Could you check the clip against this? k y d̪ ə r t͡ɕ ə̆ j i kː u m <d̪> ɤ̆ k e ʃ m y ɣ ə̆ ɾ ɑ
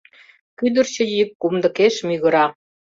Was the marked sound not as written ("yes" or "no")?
no